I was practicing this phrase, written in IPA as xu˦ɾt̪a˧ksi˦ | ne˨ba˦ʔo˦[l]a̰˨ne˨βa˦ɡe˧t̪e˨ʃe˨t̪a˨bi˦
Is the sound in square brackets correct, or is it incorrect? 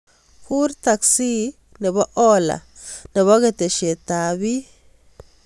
correct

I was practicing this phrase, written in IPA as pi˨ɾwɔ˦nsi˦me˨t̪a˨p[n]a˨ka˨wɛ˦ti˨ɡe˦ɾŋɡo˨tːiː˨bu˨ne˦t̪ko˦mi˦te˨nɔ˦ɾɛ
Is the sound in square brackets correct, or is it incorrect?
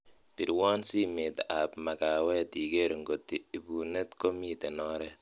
incorrect: m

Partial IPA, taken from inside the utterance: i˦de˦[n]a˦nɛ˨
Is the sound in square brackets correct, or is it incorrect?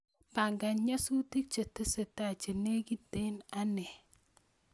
correct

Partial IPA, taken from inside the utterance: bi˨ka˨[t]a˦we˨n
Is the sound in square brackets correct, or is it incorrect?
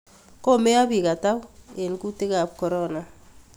correct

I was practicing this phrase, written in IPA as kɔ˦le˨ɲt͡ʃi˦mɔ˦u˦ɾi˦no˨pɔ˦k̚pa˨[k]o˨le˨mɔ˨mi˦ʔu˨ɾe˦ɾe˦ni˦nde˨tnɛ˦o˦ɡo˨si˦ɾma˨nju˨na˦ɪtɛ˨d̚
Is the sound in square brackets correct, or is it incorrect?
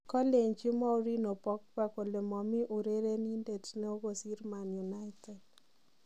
correct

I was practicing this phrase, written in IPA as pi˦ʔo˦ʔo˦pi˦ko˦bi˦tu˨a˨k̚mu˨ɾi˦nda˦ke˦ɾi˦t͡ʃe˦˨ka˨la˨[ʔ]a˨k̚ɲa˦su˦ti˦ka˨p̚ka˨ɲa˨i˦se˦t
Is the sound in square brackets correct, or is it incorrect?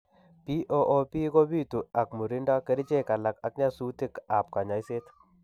incorrect: k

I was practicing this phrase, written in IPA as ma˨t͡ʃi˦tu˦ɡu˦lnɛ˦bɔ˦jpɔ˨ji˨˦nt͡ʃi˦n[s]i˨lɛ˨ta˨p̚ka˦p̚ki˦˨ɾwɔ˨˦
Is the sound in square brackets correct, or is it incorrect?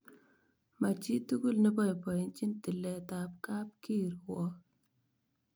incorrect: t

